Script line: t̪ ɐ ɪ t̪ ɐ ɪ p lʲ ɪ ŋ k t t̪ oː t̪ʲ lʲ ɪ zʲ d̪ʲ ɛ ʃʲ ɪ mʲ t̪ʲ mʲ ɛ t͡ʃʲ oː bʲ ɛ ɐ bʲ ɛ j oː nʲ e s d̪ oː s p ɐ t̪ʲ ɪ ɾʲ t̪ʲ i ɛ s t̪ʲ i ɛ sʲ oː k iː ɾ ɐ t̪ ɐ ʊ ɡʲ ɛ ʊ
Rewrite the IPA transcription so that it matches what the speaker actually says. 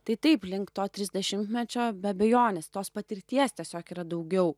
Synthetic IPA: t̪ ɐ ɪ t̪ ɐ ɪ p lʲ ɪ ŋ k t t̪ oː t̪ʲ ɾʲ ɪ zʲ d̪ʲ ɛ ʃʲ ɪ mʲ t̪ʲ mʲ ɛ t͡ʃʲ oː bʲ ɛ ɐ bʲ ɛ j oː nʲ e s t̪ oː s p ɐ t̪ʲ ɪ ɾʲ t̪ʲ i ɛ s t̪ʲ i ɛ sʲ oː k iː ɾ ɐ d̪ ɐ ʊ ɡʲ ɛ ʊ